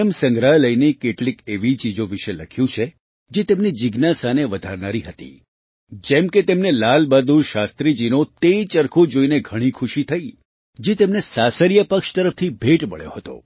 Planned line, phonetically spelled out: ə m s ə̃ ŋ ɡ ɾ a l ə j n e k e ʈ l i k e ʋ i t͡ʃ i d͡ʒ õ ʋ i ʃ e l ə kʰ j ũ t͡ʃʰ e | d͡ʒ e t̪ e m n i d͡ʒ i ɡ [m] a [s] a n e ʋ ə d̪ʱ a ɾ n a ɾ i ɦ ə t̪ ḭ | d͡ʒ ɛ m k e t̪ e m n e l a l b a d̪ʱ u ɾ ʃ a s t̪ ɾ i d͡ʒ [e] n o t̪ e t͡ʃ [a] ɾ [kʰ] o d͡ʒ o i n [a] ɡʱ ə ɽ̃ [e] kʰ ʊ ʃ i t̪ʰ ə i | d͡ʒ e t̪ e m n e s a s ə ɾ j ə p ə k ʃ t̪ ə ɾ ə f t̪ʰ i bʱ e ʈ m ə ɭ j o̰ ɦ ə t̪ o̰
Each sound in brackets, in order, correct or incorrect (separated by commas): incorrect, correct, incorrect, incorrect, correct, incorrect, incorrect